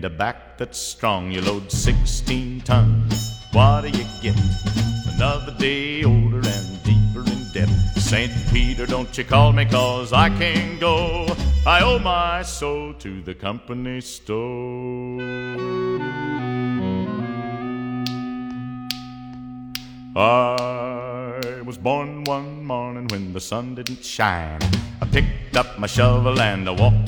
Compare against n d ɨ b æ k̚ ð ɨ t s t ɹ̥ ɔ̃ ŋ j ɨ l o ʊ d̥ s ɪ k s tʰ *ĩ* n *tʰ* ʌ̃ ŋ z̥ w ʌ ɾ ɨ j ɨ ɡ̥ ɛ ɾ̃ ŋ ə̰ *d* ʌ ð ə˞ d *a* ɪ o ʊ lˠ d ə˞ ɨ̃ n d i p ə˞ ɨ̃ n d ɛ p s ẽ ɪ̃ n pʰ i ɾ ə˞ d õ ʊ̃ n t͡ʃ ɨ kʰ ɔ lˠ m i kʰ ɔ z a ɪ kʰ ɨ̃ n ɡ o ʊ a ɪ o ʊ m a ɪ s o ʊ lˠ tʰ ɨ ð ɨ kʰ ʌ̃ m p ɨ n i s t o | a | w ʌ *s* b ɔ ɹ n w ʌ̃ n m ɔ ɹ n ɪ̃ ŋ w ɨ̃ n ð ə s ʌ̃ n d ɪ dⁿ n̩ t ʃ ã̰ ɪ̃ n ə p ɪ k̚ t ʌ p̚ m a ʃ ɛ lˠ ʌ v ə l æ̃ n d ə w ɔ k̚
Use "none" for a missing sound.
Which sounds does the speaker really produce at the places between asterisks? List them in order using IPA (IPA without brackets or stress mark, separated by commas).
ĩ, tʰ, n, e, z